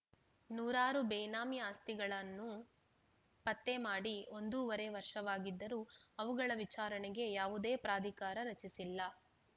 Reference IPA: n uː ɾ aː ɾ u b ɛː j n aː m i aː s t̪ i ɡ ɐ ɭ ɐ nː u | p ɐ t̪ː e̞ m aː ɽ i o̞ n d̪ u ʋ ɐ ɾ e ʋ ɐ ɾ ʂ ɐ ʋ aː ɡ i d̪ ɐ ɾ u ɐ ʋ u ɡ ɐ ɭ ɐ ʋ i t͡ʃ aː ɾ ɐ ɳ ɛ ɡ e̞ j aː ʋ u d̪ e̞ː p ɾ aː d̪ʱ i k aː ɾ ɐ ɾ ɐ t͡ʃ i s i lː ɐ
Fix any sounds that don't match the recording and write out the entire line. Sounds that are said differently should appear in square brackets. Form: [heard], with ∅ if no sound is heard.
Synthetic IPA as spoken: n uː ɾ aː ɾ u b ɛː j n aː m i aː s t̪ i ɡ ɐ ɭ ɐ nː u | p ɐ t̪ː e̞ m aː ɽ i o̞ n d̪ u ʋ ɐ ɾ e ʋ ɐ ɾ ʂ ɐ ʋ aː ɡ i [d̪ː] ɐ ɾ u ɐ ʋ u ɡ ɐ ɭ ɐ ʋ i t͡ʃ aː ɾ ɐ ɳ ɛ ɡ e̞ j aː ʋ u d̪ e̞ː p ɾ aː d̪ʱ i k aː ɾ ɐ ɾ ɐ t͡ʃ i s i lː ɐ